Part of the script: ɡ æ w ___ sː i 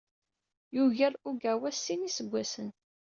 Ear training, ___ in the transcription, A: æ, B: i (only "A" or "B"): A